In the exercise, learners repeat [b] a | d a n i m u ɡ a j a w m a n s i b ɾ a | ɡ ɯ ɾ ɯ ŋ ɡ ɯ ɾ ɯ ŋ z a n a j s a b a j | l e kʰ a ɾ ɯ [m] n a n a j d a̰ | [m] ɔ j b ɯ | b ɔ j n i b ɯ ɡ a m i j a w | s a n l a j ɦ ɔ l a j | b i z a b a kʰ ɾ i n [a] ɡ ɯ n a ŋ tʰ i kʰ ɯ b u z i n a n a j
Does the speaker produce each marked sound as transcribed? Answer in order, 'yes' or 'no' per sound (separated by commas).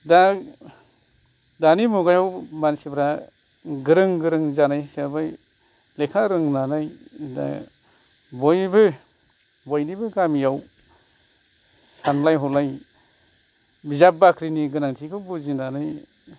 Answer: no, no, no, no